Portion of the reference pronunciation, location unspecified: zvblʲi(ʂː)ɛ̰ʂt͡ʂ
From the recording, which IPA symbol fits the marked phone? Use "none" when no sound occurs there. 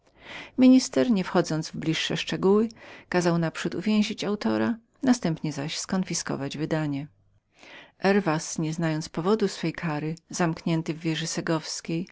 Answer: ʂː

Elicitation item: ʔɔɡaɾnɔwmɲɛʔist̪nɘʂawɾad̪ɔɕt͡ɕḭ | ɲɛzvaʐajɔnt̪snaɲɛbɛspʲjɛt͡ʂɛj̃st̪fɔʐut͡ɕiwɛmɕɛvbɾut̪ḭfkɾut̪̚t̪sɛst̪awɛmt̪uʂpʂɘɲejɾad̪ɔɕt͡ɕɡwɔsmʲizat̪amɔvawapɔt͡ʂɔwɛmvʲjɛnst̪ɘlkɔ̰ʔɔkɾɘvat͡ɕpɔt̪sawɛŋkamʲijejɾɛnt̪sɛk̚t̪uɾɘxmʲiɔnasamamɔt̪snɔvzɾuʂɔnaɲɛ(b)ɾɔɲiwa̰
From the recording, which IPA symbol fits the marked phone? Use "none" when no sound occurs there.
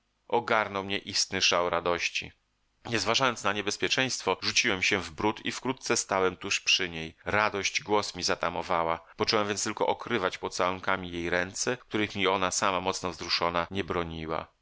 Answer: b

